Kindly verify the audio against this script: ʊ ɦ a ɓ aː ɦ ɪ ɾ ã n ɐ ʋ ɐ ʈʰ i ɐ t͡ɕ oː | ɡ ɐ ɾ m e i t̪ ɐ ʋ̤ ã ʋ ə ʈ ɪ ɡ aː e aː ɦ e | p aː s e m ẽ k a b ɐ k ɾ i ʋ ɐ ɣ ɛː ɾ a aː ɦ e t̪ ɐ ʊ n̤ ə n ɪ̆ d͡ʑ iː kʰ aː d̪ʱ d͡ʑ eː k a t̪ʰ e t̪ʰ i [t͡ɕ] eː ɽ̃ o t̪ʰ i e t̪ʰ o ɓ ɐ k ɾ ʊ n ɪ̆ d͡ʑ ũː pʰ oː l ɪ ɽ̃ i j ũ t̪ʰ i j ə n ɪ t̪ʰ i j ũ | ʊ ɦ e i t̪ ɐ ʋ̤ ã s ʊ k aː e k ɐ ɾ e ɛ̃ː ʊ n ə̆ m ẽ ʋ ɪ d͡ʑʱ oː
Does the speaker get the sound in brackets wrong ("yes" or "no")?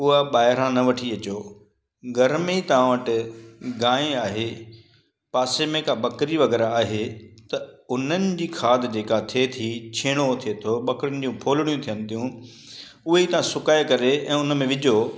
yes